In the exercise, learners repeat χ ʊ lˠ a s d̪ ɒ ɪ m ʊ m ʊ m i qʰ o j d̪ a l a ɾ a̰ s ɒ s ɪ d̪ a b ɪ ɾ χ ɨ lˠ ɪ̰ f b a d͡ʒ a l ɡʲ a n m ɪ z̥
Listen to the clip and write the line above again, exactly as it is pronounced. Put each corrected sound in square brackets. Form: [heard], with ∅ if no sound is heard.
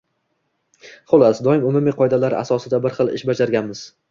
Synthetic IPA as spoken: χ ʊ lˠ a s d̪ ɒ ɪ m ʊ m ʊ m i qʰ [ɒ] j d̪ a l a ɾ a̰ s ɒ s ɪ d̪ a b ɪ ɾ χ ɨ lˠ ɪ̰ [ʃ] b a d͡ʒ a [ɾ] ɡʲ a n m ɪ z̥